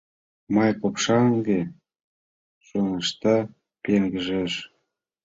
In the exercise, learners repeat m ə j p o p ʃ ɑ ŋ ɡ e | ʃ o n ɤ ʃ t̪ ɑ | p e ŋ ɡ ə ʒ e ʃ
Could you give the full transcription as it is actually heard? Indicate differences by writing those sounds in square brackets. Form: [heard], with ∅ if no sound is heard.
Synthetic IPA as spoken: m [ɑ] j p o p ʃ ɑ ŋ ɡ e | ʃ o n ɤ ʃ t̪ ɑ | p e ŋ ɡ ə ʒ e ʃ

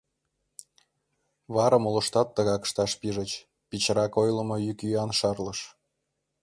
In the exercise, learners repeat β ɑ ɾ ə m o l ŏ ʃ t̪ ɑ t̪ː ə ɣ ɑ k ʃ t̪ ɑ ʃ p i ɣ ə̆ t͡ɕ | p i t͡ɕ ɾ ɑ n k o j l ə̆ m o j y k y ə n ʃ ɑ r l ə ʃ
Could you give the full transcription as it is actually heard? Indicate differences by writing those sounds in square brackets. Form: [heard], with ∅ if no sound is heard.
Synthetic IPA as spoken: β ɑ ɾ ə m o l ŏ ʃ t̪ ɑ t̪ː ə ɣ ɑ k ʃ t̪ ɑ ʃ p i [ʒ] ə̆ t͡ɕ | p i t͡ɕ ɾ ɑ [∅] k o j l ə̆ m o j y k y [ɑ] n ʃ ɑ r l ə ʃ

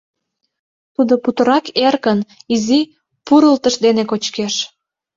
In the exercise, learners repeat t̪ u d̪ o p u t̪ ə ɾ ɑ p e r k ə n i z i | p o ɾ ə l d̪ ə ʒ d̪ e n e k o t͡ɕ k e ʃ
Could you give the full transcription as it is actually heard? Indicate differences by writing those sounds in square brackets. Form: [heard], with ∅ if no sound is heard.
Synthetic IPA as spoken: t̪ u d̪ o p u t̪ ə ɾ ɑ [k] e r k ə n i z i | p [u] ɾ ə l [t̪] ə [ʃ] d̪ e n e k o t͡ɕ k e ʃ

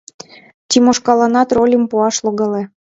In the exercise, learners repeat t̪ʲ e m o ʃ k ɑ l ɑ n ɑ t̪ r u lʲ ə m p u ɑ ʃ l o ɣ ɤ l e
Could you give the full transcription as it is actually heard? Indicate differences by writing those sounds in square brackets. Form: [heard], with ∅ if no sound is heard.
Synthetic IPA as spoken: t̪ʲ [i] m o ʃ k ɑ l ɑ n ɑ t̪ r [o] lʲ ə m p u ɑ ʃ l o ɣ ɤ l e

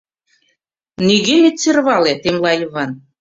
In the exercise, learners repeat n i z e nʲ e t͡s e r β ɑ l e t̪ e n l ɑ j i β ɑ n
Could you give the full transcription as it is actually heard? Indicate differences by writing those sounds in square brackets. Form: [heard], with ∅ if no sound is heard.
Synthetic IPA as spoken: n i [ɣ] e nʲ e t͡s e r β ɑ l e t̪ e [m] l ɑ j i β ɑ n

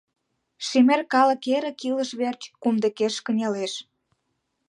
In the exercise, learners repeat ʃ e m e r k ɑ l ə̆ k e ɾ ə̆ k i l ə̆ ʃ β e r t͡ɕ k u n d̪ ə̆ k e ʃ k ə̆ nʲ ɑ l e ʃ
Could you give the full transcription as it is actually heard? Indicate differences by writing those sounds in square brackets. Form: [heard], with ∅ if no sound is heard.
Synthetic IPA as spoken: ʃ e m e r k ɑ l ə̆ k e ɾ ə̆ k i l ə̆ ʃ β e r t͡ɕ k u [m] d̪ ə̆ k e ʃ k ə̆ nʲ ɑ l e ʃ

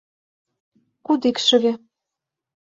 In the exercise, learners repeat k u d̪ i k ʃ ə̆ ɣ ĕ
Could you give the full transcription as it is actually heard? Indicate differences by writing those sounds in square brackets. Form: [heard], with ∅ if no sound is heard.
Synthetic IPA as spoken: k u d̪ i k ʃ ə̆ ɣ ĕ

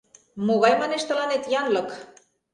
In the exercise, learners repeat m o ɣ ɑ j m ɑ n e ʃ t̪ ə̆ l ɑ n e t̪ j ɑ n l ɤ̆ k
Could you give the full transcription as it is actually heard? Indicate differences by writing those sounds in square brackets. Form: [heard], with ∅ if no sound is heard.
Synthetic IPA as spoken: m o ɣ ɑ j m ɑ n e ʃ t̪ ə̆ l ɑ n e t̪ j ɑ n l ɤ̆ k

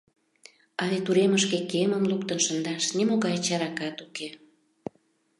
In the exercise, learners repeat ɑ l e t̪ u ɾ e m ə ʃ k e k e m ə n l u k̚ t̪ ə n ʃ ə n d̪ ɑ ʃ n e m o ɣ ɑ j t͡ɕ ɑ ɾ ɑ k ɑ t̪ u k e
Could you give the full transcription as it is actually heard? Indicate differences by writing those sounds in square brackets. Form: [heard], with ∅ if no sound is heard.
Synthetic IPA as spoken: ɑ l e t̪ u ɾ e m ə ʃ k e k e m ə [m] l u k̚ t̪ ə n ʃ ə n d̪ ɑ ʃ n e m o ɣ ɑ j t͡ɕ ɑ ɾ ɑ k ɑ t̪ u k e

